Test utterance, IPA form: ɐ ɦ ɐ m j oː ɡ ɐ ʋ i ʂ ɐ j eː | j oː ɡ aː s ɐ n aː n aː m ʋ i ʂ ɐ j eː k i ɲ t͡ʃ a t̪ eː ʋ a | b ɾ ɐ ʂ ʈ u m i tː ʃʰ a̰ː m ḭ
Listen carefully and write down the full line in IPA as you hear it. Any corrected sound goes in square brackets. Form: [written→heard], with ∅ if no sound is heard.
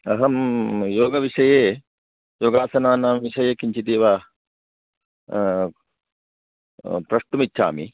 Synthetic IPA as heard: ɐ ɦ ɐ m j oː ɡ ɐ ʋ i ʂ ɐ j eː | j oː ɡ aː s ɐ n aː n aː m ʋ i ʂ ɐ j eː k i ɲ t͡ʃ [a→i] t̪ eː ʋ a | [b→p] ɾ ɐ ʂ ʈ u m i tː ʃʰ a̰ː m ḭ